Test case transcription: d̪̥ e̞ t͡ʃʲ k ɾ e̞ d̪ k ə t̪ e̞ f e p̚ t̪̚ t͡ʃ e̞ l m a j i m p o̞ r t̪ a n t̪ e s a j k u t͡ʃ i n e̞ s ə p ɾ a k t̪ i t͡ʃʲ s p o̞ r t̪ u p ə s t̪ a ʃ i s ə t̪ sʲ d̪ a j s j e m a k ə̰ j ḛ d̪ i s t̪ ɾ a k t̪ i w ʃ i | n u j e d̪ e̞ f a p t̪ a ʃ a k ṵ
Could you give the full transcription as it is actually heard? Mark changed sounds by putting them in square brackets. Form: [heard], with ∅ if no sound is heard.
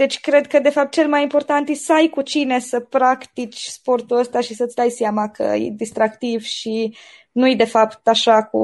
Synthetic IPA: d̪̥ e̞ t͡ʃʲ k ɾ e̞ d̪ k ə [d̪] e̞ f [a] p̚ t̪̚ t͡ʃ e̞ l m a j i m p o̞ r t̪ a n t̪ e s a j k u t͡ʃ i n e̞ s ə p ɾ a k t̪ i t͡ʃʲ s p o̞ r t̪ u [∅] ə s t̪ a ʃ i s ə t̪ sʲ d̪ a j s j [a] m a k ə̰ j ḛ d̪ i s t̪ ɾ a k t̪ i [v] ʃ i | n u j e d̪ e̞ f a p t̪ a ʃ a k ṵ